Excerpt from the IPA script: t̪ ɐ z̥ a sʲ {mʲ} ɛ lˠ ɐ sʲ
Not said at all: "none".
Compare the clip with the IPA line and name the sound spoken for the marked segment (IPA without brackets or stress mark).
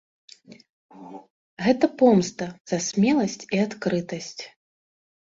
mʲ